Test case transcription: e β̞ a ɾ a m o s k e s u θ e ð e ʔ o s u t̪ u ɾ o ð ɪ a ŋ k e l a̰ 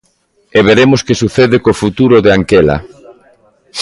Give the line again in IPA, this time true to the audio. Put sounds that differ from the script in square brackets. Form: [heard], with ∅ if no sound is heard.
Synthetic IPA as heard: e β̞ [e] ɾ [e] m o s k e s u θ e ð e [k] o [f] u t̪ u ɾ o ð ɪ a ŋ k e l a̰